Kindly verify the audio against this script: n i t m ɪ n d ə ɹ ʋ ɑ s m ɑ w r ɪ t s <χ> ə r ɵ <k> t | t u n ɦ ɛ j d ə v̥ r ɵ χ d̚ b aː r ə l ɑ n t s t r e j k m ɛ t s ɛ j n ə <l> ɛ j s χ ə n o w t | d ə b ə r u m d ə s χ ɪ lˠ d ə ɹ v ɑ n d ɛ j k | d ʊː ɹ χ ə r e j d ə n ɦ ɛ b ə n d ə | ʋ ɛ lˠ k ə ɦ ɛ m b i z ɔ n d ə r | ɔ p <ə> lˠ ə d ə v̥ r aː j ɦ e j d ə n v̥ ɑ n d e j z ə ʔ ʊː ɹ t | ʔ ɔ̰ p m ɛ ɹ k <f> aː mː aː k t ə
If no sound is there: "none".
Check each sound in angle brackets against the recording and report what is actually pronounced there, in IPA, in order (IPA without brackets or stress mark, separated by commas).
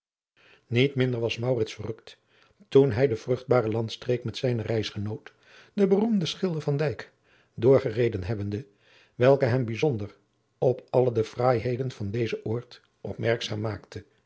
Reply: f, k, r, ɑ, s